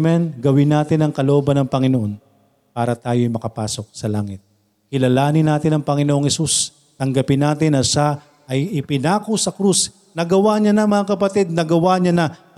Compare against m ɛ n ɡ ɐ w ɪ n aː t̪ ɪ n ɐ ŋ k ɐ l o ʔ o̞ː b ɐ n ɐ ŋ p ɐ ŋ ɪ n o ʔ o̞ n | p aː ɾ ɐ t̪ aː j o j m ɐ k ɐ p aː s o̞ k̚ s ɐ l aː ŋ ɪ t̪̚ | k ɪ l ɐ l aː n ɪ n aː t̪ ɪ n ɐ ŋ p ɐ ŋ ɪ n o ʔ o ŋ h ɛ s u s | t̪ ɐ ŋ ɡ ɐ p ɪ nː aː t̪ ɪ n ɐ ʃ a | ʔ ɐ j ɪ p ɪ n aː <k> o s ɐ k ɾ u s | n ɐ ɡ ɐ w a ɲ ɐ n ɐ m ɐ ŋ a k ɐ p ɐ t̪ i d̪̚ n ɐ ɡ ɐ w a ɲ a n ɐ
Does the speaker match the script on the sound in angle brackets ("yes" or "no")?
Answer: yes